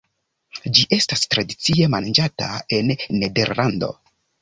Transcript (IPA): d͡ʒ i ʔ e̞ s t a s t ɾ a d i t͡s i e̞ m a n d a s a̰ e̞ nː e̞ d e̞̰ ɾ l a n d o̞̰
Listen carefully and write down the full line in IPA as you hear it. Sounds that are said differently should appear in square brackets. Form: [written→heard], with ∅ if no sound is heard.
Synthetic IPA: d͡ʒ i ʔ e̞ s t a s t ɾ a d i t͡s i e̞ m a n [d→d͡ʒ] a [s→t] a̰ e̞ nː e̞ d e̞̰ ɾ l a n d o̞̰